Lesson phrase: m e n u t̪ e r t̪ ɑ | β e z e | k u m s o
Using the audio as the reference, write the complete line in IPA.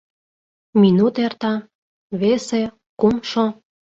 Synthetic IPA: m i n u t̪ e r t̪ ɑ | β e s e | k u m ʃ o